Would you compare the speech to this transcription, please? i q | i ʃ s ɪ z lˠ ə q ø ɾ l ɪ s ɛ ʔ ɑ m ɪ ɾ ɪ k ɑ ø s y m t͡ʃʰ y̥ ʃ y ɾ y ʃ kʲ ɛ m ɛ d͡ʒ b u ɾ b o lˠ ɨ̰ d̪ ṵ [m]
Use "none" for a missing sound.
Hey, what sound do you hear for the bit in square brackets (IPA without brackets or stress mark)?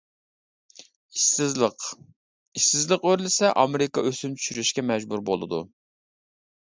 none